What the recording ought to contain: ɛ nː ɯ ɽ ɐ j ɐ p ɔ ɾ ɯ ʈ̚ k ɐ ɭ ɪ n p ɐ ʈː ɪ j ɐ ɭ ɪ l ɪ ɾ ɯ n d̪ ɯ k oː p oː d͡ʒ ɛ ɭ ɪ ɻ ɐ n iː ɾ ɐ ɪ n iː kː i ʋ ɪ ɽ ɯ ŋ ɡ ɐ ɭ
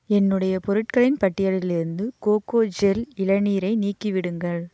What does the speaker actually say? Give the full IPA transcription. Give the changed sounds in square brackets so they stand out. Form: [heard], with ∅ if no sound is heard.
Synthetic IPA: ɛ nː ɯ ɽ ɐ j ɐ p ɔ ɾ ɯ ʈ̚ k ɐ ɭ ɪ n p ɐ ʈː ɪ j ɐ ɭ ɪ l ɪ ɾ ɯ n d̪ ɯ k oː [k] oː d͡ʒ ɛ [l] ɪ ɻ ɐ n iː ɾ ɐ ɪ n iː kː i ʋ ɪ ɽ ɯ ŋ ɡ ɐ ɭ